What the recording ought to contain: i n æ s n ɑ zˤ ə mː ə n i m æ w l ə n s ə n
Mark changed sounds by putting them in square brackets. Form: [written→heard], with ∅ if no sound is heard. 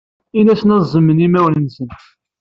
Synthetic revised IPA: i n æ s n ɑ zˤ ə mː ə n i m æ w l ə n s ə n